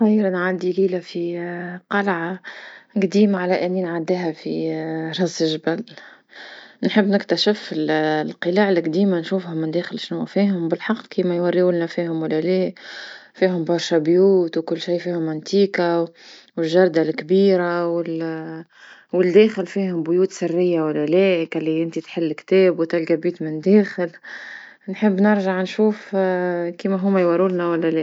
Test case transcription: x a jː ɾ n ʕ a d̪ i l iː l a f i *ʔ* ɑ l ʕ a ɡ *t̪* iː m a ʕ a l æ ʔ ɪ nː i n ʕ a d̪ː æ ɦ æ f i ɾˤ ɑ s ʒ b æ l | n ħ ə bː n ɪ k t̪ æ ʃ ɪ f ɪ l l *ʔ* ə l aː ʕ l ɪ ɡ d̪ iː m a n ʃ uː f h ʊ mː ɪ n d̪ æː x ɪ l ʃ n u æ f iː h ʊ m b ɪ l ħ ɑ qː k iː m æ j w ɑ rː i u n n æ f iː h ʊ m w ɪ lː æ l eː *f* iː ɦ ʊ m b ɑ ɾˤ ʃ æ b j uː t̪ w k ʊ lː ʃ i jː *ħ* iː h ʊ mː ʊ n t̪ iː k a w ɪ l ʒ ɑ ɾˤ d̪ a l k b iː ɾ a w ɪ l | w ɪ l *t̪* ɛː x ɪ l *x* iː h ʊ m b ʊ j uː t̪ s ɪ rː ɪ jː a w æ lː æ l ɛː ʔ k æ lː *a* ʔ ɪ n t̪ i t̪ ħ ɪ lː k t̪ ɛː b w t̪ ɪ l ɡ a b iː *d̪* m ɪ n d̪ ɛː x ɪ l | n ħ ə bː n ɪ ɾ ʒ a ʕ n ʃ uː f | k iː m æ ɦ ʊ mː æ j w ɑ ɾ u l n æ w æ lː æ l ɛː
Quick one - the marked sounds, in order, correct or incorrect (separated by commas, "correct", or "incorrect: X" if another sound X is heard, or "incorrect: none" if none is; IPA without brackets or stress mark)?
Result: incorrect: q, incorrect: d̪, incorrect: q, correct, incorrect: f, incorrect: d̪, incorrect: f, incorrect: i, incorrect: t̪